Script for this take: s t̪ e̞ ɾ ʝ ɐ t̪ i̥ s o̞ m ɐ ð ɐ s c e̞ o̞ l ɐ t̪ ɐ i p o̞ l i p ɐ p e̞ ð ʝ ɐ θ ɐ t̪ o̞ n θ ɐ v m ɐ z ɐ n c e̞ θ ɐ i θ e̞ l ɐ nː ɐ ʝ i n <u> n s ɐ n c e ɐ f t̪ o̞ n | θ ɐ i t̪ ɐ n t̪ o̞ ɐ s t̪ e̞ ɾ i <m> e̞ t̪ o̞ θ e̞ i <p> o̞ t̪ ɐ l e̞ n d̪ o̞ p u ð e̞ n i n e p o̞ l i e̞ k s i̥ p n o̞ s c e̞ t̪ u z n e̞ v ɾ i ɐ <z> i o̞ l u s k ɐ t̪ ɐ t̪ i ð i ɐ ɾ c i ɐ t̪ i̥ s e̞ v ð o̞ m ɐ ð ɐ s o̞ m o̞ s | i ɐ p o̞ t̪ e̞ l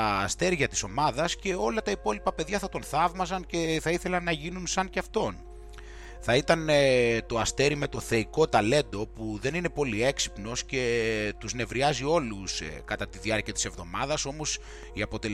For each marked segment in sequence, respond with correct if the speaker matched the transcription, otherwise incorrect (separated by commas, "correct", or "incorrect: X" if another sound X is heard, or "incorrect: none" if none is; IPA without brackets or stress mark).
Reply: correct, correct, incorrect: k, correct